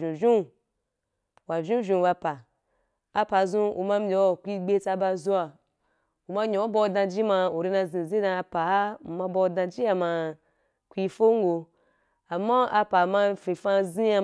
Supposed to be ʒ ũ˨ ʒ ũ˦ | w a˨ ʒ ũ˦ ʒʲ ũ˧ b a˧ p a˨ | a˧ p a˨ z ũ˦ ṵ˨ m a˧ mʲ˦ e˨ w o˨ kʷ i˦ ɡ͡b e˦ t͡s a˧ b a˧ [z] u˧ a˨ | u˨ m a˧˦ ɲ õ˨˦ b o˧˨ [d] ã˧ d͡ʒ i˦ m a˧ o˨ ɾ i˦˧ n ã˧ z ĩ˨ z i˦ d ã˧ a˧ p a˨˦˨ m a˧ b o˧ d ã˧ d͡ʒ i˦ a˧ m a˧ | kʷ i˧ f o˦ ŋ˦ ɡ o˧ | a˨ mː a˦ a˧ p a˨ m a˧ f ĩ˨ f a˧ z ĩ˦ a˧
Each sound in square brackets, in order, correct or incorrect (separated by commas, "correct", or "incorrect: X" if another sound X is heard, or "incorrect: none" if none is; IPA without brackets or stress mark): correct, correct